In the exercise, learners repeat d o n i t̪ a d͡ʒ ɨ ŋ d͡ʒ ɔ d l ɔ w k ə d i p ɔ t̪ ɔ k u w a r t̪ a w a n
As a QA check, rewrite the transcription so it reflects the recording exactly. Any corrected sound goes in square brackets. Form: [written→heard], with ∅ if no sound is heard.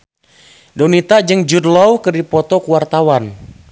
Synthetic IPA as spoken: d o n i t̪ a d͡ʒ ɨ ŋ d͡ʒ [ɔ→u] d l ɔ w k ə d i p ɔ t̪ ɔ k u w a r t̪ a w a n